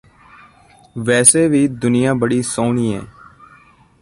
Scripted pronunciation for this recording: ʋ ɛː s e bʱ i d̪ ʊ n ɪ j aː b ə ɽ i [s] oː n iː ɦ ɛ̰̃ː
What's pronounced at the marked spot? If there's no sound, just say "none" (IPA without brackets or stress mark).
s